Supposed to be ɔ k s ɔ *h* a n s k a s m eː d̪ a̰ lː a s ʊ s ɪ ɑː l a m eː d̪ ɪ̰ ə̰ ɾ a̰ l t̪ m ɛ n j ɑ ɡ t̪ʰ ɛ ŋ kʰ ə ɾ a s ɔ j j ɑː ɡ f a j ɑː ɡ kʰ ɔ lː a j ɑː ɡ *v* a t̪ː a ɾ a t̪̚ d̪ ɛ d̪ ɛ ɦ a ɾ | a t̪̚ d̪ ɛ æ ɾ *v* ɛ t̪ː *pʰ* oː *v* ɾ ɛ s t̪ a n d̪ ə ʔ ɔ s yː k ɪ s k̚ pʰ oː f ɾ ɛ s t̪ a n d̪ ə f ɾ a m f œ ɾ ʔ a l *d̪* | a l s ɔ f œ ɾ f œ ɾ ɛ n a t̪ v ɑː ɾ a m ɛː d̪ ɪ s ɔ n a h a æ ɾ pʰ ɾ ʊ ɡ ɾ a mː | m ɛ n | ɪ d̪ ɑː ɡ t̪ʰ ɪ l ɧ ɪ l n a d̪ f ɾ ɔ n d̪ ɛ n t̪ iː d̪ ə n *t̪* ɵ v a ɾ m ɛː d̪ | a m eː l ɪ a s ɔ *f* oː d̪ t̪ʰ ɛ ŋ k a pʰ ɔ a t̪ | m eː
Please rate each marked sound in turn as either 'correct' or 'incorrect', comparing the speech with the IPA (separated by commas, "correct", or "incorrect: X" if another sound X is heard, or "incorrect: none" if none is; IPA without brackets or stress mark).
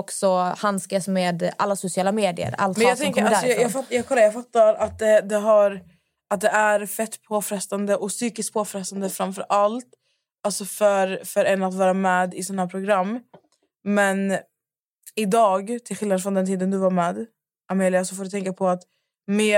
correct, incorrect: f, incorrect: f, correct, incorrect: f, incorrect: t̪, incorrect: d̪, correct